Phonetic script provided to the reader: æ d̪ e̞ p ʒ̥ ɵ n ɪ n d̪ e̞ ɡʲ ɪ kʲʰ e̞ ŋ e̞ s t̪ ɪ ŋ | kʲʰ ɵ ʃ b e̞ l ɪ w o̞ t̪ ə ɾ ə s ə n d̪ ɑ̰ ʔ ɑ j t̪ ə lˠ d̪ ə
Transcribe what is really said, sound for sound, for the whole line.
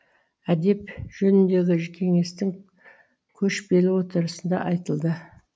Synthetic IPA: æ d̪ e̞ p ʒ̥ ɵ n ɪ n d̪ e̞ ɡʲ ɪ kʲʰ e̞ ŋ e̞ s t̪ ɪ ŋ | kʲʰ ɵ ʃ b e̞ l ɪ w o̞ t̪ ə ɾ ə s ə n d̪ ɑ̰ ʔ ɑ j t̪ ə lˠ d̪ ə

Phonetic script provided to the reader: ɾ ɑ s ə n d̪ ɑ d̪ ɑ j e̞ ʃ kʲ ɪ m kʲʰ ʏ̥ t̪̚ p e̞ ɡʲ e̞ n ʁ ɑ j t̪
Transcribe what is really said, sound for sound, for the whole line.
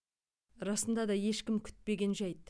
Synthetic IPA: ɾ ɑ s ə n d̪ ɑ d̪ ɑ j e̞ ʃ kʲ ɪ m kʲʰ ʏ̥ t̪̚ p e̞ ɡʲ e̞ n ʒ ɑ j t̪

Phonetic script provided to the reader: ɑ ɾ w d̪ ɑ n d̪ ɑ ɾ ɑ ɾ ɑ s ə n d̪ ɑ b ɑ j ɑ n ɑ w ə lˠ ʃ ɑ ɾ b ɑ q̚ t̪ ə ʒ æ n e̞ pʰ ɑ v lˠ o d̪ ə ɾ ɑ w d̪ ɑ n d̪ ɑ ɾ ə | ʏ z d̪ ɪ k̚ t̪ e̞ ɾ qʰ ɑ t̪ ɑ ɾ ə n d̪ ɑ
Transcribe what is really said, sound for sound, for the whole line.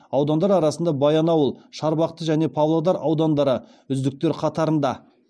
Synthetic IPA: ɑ w d̪ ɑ n d̪ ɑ ɾ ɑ ɾ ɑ s ə n d̪ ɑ b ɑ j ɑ n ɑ w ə lˠ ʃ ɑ ɾ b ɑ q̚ t̪ ə ʒ æ n e̞ pʰ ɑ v lˠ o d̪ ɑ ɾ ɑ w d̪ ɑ n d̪ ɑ ɾ ə | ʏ z d̪ ɪ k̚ t̪ e̞ ɾ qʰ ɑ t̪ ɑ ɾ ə n d̪ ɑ

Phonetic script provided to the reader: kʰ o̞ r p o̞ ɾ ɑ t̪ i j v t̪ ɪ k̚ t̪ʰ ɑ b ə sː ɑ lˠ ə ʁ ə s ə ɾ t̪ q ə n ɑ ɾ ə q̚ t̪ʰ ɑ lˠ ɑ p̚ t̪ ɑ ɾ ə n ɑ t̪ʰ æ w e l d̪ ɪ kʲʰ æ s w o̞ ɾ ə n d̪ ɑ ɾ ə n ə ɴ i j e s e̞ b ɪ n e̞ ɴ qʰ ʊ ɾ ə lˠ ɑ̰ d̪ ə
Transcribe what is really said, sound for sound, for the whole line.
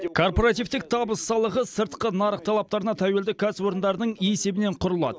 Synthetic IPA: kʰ o̞ r p o̞ ɾ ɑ t̪ i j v t̪ ɪ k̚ t̪ʰ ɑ b ə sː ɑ lˠ ə ʁ ə s ə ɾ t̪ q ə n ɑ ɾ ə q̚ t̪ʰ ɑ lˠ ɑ p̚ t̪ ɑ ɾ ə n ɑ t̪ʰ æ w e l d̪ ɪ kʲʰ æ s w o̞ ɾ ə n d̪ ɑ ɾ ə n ə ɴ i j e s e̞ b ɪ n e̞ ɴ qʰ ʊ ɾ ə lˠ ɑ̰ d̪ ə

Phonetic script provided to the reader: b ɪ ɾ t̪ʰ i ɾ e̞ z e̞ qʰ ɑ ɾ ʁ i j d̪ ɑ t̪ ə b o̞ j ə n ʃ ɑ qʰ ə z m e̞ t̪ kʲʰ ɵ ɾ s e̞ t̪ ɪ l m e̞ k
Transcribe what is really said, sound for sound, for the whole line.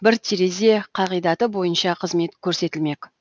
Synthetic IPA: b ɪ ɾ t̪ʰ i ɾ e̞ z e̞ qʰ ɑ ʁ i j d̪ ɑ t̪ ə b o̞ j ə n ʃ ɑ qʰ ə z m e̞ t̪ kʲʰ ɵ ɾ s e̞ t̪ ɪ l m e̞ k

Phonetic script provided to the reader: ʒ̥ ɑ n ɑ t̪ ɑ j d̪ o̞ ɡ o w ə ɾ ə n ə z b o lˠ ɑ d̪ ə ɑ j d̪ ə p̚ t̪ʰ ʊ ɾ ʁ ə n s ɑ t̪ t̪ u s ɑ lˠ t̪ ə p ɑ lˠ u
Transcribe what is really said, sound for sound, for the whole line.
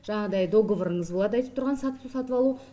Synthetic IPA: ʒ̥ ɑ ɴ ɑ d̪ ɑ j d̪ o̞ ɡ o v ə ɾ ə ɴ ə z b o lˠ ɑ d̪ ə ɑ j t̪ ə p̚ t̪ʰ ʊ ɾ ʁ ɑ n s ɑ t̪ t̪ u s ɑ t̪ ə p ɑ lˠ u

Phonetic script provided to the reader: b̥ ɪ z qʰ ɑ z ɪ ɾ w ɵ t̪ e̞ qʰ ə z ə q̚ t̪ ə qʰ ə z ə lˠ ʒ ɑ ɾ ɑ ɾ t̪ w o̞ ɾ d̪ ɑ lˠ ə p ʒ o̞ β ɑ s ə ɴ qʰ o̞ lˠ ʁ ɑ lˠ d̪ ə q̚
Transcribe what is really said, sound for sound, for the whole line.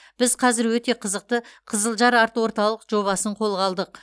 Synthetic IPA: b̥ ɪ z qʰ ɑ z ɪ ɾ w ɵ t̪ e̞ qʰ ə z ə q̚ t̪ ə qʰ ə z ə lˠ ʒ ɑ ɾ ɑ ɾ t̪ w o̞ ɾ t̪ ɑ lˠ ə q ʒ o̞ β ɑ s ə ɴ qʰ o̞ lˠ ʁ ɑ lˠ d̪ ə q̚

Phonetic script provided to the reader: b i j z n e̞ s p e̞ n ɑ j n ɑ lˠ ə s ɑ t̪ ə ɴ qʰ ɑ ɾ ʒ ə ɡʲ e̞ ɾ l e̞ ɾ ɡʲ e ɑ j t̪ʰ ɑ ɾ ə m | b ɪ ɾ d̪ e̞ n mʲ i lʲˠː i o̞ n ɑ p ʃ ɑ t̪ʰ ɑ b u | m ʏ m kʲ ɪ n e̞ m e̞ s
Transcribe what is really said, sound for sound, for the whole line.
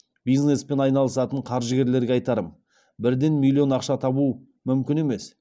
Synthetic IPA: b i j z n e̞ s p e̞ n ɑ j n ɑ lˠ ə s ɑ t̪ ə ɴ qʰ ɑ ɾ ʒ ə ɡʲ e̞ ɾ l e̞ ɾ ɡʲ e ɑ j t̪ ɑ ɾ ə m | b ɪ ɾ d̪ e̞ n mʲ i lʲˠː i o̞ n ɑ q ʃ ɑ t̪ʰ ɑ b u | m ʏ m kʲ ɪ n e̞ m e̞ s

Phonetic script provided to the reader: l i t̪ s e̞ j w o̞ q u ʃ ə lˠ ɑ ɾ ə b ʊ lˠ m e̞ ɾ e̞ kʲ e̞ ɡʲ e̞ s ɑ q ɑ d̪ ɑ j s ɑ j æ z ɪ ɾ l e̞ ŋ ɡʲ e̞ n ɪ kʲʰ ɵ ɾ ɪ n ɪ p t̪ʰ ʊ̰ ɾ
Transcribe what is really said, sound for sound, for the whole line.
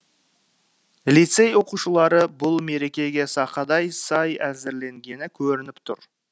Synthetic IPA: l i t̪ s e̞ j w o̞ q u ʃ ə lˠ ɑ ɾ ə b ʊ lˠ m e̞ ɾ e̞ kʲ e̞ ɡʲ e̞ s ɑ q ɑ d̪ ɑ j s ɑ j æ z ɪ ɾ l e̞ ŋ ɡʲ e̞ n ɪ kʲʰ ɵ ɾ ɪ n ɪ p t̪ʰ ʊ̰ ɾ

